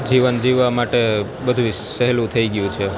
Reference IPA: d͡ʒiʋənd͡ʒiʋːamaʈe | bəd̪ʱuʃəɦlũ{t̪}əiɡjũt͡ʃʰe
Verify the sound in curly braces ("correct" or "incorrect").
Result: incorrect